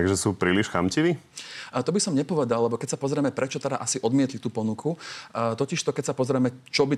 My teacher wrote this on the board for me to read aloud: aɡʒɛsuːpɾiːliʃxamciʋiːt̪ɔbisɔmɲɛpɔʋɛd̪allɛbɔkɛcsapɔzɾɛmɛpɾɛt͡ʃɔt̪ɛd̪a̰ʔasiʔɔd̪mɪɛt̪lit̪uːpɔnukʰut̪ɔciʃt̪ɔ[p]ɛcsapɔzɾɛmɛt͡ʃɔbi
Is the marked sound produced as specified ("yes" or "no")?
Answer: no